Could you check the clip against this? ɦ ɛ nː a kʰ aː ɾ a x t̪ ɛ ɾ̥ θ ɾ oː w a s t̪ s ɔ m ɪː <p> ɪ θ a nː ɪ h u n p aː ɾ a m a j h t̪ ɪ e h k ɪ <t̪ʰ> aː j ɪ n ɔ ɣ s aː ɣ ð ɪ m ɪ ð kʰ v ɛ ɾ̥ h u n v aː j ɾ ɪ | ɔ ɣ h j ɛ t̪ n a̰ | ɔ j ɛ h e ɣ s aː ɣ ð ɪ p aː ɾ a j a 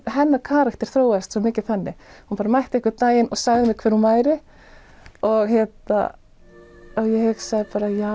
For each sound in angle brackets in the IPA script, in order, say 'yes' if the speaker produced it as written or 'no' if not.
no, no

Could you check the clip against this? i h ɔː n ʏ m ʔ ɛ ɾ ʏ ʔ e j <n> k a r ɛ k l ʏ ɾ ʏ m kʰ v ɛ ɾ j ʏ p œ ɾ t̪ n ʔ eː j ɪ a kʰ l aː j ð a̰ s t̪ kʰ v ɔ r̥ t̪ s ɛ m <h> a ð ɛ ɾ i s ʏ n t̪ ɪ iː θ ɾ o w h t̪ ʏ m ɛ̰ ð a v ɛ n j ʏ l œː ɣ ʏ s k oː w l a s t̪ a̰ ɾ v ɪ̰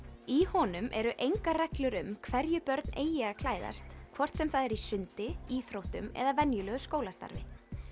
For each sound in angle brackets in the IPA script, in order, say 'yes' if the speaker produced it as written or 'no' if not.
no, no

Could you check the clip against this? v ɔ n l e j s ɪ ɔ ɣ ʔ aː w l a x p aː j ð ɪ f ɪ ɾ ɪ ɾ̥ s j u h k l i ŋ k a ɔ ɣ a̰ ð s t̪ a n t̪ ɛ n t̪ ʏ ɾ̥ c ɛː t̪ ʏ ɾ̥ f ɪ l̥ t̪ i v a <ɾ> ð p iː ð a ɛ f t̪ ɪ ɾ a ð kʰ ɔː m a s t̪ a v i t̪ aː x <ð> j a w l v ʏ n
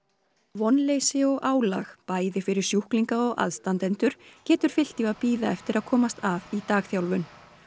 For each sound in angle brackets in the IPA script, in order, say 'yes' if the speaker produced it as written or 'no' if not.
no, no

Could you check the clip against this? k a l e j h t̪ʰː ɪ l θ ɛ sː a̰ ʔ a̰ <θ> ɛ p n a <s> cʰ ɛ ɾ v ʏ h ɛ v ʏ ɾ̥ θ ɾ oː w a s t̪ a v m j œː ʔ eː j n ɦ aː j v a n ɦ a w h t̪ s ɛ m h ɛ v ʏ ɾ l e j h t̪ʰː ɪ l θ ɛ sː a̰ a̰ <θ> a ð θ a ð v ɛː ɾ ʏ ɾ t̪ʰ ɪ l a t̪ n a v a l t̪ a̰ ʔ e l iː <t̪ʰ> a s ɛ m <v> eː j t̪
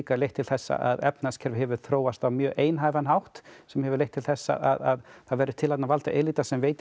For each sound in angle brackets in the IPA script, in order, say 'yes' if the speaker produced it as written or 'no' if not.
no, yes, no, no, yes

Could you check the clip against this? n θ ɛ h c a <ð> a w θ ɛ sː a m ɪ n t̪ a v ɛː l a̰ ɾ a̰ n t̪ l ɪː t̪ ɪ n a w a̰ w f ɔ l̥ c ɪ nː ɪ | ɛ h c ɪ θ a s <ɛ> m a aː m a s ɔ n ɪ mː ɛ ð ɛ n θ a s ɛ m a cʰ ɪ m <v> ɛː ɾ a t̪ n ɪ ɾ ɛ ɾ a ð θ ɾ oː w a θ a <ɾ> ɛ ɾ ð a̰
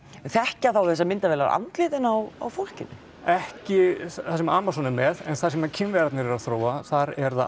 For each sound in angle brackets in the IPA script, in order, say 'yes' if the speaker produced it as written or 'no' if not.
no, yes, yes, yes

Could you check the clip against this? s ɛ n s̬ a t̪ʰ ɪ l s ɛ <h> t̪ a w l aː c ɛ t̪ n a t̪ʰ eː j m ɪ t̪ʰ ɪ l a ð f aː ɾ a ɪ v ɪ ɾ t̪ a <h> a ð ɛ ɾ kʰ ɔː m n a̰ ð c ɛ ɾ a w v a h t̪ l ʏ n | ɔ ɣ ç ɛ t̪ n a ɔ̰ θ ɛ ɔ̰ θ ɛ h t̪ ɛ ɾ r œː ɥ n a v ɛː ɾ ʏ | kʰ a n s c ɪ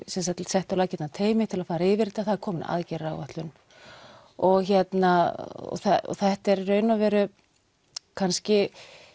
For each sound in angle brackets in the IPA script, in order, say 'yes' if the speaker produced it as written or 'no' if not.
yes, no

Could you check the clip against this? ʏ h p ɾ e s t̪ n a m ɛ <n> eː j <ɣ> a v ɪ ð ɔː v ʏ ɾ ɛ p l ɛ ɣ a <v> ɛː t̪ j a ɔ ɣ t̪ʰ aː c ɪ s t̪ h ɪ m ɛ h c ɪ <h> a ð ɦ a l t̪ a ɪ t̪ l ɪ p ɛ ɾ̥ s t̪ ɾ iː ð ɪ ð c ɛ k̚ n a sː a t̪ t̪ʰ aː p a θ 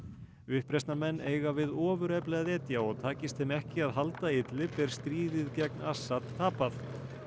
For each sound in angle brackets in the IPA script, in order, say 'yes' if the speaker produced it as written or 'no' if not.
no, yes, no, no

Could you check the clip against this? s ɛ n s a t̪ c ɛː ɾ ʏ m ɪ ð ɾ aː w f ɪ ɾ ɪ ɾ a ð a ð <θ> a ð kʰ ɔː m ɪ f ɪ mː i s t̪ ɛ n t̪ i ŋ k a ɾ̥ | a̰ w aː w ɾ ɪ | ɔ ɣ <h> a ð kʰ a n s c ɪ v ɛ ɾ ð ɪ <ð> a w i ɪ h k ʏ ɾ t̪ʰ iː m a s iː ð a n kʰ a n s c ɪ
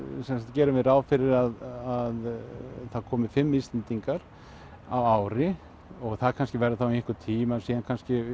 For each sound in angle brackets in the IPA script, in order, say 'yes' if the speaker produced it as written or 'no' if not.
yes, no, no

